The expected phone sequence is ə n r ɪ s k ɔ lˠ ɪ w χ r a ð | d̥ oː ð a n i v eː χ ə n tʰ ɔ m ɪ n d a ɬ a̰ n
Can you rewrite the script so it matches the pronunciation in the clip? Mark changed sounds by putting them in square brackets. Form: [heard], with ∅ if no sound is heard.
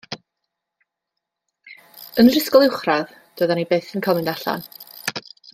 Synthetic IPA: ə n r ɪ s k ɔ lˠ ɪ w χ r a ð | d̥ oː ð a n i [b] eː [θ] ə n [kʰ] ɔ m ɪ n d a ɬ a̰ n